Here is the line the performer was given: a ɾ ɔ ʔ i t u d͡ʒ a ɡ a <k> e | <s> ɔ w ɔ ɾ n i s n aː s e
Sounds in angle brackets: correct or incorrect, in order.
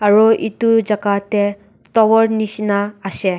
incorrect: t, incorrect: t

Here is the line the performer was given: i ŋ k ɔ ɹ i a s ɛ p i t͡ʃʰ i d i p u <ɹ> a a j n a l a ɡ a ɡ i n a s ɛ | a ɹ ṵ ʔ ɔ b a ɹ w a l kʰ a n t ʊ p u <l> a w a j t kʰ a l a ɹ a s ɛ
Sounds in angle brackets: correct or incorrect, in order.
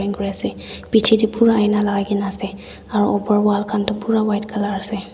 correct, incorrect: ɹ

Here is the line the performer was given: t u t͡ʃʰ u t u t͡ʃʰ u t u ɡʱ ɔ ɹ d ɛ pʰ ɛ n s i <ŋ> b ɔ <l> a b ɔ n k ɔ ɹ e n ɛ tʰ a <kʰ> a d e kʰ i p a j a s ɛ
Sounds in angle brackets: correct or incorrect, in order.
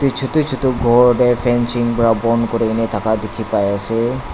correct, incorrect: ɹ, incorrect: k

